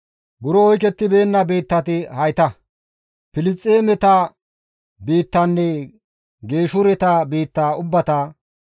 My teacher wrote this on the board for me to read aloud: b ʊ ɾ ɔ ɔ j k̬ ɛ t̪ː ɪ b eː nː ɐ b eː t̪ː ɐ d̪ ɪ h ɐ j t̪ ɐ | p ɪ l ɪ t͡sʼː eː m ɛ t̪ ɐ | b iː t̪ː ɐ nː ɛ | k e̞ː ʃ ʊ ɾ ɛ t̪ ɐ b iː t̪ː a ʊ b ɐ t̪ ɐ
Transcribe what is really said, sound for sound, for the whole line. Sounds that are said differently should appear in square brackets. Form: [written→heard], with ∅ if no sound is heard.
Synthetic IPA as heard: b ʊ ɾ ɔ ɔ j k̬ ɛ t̪ː ɪ b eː nː ɐ b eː t̪ː ɐ [d̪→t̪] ɪ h ɐ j t̪ ɐ | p ɪ l ɪ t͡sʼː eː m ɛ t̪ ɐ | b iː t̪ː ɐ nː ɛ | [k→ɡ] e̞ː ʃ ʊ ɾ ɛ t̪ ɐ b iː t̪ː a ʊ [b→bː] ɐ t̪ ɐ